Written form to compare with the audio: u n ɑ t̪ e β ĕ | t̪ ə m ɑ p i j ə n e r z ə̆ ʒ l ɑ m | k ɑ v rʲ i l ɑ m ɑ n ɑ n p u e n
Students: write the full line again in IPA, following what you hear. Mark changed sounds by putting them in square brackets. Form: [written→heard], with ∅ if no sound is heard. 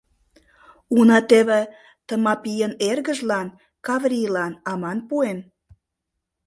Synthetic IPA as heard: u n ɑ t̪ e β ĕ | t̪ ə m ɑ p i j ə n e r [z→ɣ] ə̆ ʒ l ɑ [m→n] | k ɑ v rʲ i l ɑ [m→n] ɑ [n→m] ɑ n p u e n